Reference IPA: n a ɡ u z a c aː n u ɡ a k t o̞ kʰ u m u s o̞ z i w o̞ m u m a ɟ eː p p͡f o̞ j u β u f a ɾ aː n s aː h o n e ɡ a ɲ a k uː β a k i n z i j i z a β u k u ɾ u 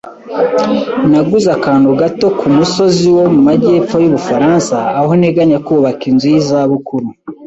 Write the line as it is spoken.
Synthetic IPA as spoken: n a ɡ u z a k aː n u ɡ a t o̞ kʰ u m u s o̞ z i w o̞ m u m a ɟ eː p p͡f o̞ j u β u f a ɾ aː n s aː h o n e ɡ a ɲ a k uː β a k i n z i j i z a β u k u ɾ u